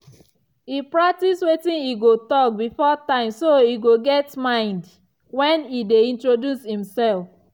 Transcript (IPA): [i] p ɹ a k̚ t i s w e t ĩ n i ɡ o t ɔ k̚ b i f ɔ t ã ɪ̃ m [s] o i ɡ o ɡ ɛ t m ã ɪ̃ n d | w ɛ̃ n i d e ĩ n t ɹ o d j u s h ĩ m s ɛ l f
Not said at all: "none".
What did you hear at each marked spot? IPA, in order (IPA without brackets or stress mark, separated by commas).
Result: i, s